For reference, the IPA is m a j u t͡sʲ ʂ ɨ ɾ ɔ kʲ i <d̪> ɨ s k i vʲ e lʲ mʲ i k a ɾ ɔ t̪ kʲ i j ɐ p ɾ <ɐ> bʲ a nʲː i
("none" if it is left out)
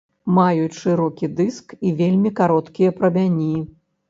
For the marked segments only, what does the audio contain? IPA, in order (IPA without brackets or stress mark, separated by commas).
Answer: d̪, ɐ